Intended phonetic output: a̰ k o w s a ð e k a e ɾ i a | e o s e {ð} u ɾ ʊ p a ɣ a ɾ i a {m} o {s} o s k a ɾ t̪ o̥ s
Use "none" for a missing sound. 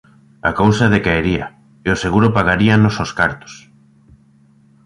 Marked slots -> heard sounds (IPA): ɣ, n, s

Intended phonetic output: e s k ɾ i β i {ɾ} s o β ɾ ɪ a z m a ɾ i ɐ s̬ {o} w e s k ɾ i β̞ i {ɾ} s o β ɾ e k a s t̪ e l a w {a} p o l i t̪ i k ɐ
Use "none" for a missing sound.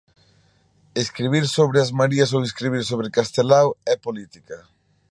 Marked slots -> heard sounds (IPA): ɾ, o, ɾ, ɛ

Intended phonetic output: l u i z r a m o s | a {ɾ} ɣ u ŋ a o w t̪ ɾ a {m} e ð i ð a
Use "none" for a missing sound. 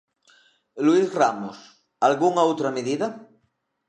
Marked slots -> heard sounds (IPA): l, m

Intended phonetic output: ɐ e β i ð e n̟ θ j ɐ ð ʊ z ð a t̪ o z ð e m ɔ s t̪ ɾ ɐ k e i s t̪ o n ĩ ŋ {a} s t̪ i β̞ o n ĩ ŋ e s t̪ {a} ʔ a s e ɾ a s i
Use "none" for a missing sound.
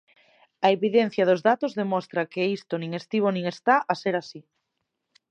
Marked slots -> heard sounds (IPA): e, a

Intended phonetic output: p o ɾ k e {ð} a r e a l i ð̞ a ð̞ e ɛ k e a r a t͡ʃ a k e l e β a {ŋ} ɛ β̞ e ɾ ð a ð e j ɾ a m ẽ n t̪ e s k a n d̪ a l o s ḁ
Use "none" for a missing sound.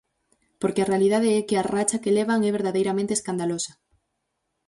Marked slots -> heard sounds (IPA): none, ŋ

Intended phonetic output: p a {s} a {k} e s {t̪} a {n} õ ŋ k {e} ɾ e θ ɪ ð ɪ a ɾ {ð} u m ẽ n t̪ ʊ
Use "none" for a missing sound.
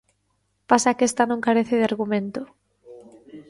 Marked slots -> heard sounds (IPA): s, k, t̪, n, a, ɣ

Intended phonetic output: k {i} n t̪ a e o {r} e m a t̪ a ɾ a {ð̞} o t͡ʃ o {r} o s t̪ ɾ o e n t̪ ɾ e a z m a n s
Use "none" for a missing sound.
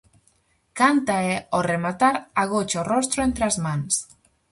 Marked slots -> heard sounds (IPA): a, r, ɣ̞, r

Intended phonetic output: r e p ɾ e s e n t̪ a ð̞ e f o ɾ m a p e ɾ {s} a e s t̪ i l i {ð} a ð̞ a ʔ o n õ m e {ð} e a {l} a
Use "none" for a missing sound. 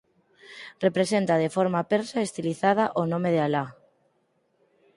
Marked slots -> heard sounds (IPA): s, θ, ð, l

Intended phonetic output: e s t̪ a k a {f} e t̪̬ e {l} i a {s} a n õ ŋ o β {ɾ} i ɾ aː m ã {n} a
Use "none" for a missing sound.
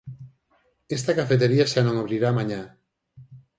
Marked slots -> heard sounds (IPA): f, ɾ, ʃ, ɾ, ɲ

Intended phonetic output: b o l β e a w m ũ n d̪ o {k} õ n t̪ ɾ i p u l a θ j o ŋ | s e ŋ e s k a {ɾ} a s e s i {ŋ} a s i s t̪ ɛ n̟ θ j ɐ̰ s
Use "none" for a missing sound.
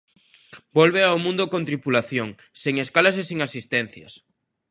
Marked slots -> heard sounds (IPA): k, l, ŋ

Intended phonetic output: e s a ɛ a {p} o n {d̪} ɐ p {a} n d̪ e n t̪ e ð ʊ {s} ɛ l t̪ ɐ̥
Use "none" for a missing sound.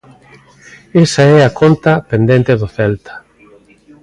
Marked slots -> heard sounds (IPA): k, t̪, e, θ

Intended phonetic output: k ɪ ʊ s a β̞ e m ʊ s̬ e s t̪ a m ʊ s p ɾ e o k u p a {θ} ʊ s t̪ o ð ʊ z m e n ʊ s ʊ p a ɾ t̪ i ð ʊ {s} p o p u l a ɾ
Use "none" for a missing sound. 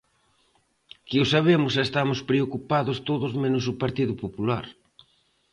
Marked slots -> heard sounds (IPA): ð, none

